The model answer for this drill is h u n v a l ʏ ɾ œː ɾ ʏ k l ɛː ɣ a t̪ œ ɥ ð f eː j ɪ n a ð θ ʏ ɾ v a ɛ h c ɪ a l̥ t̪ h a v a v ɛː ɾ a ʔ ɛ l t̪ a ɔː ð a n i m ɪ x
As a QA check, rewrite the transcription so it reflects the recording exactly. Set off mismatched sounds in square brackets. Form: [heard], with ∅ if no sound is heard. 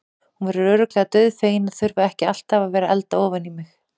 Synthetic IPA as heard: h u n v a [ɾ] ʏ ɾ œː ɾ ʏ k l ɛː ɣ a t̪ œ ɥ ð f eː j ɪ n a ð θ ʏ ɾ v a ɛ h c ɪ a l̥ t̪ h a v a v ɛː ɾ a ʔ ɛ l t̪ a ɔː [v] a n i m ɪ x